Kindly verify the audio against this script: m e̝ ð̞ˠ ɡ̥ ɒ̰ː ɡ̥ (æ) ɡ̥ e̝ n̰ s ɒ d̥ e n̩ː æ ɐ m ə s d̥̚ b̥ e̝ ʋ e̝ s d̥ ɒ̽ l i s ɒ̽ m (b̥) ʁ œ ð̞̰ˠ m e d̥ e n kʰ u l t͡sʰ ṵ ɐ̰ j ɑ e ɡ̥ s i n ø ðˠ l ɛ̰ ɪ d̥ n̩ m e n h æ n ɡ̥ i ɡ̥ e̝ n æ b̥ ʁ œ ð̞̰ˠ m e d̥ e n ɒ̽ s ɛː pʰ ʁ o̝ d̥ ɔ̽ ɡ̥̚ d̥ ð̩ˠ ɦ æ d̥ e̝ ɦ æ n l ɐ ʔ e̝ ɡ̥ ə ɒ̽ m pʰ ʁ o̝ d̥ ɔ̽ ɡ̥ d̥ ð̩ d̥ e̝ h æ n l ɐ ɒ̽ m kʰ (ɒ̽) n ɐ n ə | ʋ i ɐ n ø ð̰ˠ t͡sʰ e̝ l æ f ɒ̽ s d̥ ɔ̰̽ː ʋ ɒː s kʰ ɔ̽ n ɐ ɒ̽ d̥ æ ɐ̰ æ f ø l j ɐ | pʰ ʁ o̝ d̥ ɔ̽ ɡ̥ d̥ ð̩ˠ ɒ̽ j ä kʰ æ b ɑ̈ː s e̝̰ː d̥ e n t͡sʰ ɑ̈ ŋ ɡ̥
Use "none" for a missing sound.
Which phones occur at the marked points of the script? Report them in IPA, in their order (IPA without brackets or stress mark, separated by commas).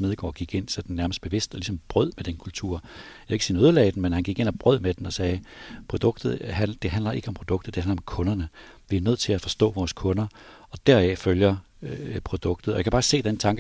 i, b̥, ɔ̽